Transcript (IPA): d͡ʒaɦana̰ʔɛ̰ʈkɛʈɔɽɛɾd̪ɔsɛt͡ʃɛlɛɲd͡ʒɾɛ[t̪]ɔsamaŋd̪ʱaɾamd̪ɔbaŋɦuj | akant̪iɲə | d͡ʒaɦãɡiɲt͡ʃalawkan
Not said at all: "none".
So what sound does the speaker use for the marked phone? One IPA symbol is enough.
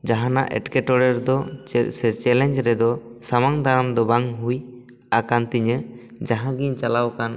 d̪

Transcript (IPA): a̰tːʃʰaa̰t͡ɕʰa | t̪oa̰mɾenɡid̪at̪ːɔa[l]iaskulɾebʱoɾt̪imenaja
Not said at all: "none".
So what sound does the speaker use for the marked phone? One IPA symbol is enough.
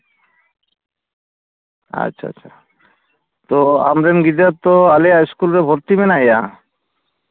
l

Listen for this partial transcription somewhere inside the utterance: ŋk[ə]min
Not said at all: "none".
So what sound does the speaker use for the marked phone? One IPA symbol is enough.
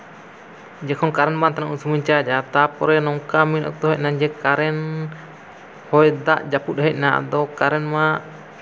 a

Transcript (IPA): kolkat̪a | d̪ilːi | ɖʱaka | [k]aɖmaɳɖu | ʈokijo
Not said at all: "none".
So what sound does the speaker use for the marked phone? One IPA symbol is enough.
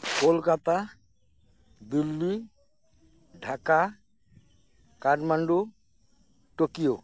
k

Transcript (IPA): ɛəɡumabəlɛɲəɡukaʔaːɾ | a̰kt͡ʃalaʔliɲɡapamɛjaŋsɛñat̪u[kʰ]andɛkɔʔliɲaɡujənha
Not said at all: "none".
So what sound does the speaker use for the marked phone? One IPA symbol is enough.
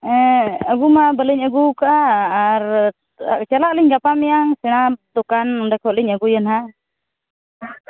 k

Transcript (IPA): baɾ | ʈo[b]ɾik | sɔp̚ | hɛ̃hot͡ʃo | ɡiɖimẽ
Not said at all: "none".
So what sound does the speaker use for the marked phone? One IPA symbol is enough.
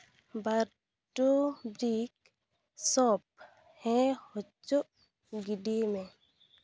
b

